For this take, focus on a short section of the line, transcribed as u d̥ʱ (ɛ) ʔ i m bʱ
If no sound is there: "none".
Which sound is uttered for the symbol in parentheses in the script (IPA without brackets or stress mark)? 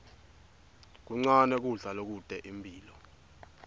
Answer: ɛ